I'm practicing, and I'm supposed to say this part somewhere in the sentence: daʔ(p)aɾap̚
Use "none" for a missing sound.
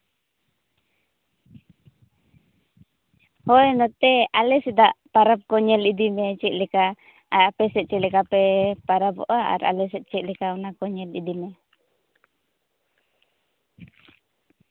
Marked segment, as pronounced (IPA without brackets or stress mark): p